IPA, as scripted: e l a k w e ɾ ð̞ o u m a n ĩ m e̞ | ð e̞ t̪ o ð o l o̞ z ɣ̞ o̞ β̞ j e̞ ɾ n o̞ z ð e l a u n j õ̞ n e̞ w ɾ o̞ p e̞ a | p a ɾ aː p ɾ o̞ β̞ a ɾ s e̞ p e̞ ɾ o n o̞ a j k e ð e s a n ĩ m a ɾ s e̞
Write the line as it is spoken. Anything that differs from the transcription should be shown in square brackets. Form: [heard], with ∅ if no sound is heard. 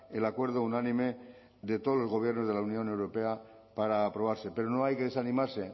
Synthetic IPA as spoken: e l a k w e ɾ ð̞ o u [n] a n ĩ m e̞ | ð e̞ t̪ o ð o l o̞ z ɣ̞ o̞ β̞ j e̞ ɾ n o̞ z ð e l a u n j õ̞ n e̞ w ɾ o̞ p e̞ a | p a ɾ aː p ɾ o̞ β̞ a ɾ s e̞ p e̞ ɾ o n o̞ a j k e ð e s a n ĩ m a ɾ s e̞

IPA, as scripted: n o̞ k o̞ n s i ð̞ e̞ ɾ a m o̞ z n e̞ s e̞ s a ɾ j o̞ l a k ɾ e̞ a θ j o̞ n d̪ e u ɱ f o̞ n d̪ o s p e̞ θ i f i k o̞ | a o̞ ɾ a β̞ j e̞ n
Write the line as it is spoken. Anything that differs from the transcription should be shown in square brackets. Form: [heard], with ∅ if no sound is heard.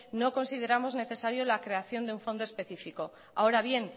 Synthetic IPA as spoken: n o̞ k o̞ n s i ð̞ e̞ ɾ a m o̞ z n e̞ [θ] e̞ s a ɾ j o̞ l a k ɾ e̞ a θ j o̞ n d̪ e u ɱ f o̞ n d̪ o s p e̞ θ i f i k o̞ | a o̞ ɾ a β̞ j e̞ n

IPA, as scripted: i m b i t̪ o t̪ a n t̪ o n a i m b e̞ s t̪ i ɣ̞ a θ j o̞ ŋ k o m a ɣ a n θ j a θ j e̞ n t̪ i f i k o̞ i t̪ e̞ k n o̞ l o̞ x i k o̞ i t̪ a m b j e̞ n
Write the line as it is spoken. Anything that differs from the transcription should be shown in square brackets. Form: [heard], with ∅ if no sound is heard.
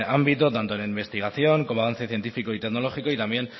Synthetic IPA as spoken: [a] m b i t̪ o t̪ a n t̪ o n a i m b e̞ s t̪ i ɣ̞ a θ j o̞ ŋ k o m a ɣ a n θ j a θ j e̞ n t̪ i f i k o̞ i t̪ e̞ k n o̞ l o̞ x i k o̞ i t̪ a m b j e̞ n

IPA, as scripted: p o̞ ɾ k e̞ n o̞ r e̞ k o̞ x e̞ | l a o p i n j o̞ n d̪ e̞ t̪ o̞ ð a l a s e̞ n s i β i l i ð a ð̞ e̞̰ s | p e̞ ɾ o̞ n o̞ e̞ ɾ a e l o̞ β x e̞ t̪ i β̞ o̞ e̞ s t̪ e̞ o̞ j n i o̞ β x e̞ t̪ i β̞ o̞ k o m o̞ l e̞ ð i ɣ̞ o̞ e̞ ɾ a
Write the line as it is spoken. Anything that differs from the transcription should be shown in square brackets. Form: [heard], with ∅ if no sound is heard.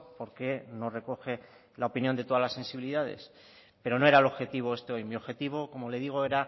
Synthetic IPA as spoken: p o̞ ɾ k e̞ n o̞ r e̞ k o̞ x e̞ | l a o p i n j o̞ n d̪ e̞ t̪ o̞ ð a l a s e̞ n s i β i l i ð a ð̞ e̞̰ s | p e̞ ɾ o̞ n o̞ e̞ ɾ a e l o̞ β x e̞ t̪ i β̞ o̞ e̞ s t̪ e̞ o̞ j [m] i o̞ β x e̞ t̪ i β̞ o̞ k o m o̞ l e̞ ð i ɣ̞ o̞ e̞ ɾ a

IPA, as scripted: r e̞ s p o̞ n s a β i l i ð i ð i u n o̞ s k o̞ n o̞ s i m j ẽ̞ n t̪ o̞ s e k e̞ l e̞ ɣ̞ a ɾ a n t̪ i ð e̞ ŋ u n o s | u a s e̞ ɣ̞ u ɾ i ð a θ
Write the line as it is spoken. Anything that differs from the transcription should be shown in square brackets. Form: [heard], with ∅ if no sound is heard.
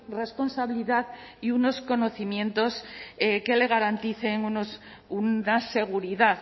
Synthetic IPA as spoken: r e̞ s p o̞ n s a β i l i ð [a] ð i u n o̞ s k o̞ n o̞ [θ] i m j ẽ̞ n t̪ o̞ s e k e̞ l e̞ ɣ̞ a ɾ a n t̪ i [θ] e̞ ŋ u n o s | u a s e̞ ɣ̞ u ɾ i ð a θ

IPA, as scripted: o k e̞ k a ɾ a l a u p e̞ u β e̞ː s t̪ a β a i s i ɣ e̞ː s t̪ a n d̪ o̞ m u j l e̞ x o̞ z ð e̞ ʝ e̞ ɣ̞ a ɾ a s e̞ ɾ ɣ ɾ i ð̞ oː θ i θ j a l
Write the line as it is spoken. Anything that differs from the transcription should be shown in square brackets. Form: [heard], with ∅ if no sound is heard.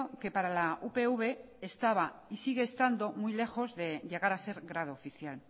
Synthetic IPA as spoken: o k e̞ [p] a ɾ a l a u p e̞ u β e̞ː s t̪ a β a i s i ɣ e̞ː s t̪ a n d̪ o̞ m u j l e̞ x o̞ z ð e̞ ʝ e̞ ɣ̞ a ɾ a s e̞ ɾ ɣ ɾ [a] ð̞ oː [f] i θ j a l

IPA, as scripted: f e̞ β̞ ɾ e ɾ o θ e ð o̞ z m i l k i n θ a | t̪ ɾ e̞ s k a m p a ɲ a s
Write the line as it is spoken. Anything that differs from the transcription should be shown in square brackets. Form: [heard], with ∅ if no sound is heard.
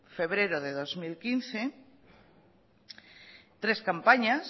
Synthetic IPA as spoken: f e̞ β̞ ɾ e ɾ o [ð] e ð o̞ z m i l k i n θ [e] | t̪ ɾ e̞ s k a m p a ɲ a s

